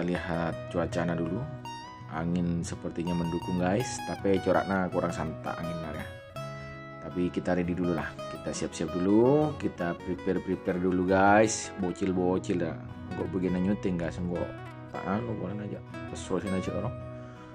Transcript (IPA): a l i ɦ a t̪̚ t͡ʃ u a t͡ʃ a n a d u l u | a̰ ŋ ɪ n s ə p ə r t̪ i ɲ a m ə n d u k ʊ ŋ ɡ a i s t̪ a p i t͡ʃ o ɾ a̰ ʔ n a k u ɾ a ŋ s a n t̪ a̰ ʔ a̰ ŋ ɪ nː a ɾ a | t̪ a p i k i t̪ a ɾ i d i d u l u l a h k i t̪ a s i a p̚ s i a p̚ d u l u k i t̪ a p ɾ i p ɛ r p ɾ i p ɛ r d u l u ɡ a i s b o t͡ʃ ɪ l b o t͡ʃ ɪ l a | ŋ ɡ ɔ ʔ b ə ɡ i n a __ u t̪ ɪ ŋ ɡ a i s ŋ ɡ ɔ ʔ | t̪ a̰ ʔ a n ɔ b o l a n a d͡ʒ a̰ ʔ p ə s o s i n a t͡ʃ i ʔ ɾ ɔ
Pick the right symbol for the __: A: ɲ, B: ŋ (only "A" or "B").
A